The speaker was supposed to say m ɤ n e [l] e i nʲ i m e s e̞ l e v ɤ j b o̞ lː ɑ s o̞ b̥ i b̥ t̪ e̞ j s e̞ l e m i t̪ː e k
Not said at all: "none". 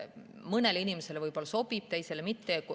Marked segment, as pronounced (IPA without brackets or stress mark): l